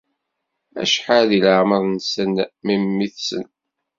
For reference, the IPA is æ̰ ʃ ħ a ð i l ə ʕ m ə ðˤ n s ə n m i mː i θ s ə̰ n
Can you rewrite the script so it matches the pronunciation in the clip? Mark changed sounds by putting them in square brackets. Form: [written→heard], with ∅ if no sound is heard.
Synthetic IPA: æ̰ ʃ ħ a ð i l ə ʕ m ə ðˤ n s ə n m i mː i θ s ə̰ n